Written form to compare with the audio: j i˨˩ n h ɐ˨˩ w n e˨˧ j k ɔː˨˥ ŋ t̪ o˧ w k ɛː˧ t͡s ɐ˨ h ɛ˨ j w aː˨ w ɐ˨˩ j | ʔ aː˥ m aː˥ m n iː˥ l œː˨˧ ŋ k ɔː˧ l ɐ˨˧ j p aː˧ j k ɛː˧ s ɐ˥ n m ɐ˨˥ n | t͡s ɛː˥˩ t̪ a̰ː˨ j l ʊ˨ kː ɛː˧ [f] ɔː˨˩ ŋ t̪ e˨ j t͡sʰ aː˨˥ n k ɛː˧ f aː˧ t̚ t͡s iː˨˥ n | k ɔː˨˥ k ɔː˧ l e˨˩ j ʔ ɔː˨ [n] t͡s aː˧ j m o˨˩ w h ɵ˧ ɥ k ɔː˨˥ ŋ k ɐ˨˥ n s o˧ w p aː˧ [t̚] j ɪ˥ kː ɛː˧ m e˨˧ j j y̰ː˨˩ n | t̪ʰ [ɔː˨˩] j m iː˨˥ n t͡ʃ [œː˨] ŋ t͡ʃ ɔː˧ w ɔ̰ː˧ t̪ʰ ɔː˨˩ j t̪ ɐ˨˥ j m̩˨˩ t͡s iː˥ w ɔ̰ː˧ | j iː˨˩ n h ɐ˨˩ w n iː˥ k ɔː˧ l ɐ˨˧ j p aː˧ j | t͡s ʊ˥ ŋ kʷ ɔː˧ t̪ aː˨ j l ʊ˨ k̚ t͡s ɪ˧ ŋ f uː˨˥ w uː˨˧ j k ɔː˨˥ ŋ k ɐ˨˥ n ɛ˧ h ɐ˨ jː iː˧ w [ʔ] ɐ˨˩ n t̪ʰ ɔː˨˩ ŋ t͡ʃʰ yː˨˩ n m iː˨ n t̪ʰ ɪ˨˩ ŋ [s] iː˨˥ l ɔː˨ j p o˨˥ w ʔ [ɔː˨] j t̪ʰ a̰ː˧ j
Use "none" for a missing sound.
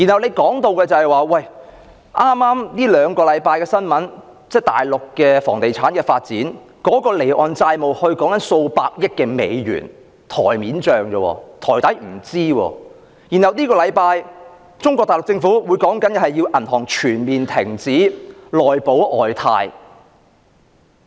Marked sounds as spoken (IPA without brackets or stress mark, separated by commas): f, n, k̚, ɔː˨˩, œː˨, ʔ, t͡s, ɔː˨